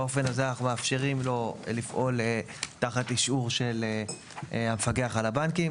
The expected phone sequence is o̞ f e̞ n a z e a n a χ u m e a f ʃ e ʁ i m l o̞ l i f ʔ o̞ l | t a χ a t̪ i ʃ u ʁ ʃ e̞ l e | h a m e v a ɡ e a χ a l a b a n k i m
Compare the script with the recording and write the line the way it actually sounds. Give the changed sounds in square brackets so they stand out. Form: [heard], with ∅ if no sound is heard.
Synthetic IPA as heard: o̞ f e̞ n a z e a n a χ u m e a f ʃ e ʁ i m l o̞ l i f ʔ o̞ l | t a χ a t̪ i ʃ u ʁ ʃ e̞ l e | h a m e [f] a ɡ e a χ a l a b a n k i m